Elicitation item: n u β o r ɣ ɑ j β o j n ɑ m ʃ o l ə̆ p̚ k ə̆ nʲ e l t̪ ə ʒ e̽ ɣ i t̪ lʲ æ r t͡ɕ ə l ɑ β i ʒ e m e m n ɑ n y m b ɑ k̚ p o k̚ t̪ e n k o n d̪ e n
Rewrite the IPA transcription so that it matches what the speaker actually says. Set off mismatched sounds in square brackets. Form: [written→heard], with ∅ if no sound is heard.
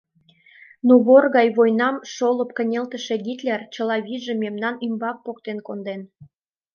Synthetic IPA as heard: n u β o r ɣ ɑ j β o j n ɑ m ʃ o l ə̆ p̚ k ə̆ nʲ e l t̪ ə [ʒ→ʃ] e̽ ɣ i t̪ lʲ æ r t͡ɕ ə l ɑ β i ʒ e m e m n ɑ n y m b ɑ k̚ p o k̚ t̪ e n k o n d̪ e n